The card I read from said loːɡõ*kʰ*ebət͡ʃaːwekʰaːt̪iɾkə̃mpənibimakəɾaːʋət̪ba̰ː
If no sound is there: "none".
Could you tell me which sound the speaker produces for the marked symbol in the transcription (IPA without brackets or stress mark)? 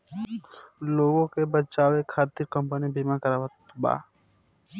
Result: k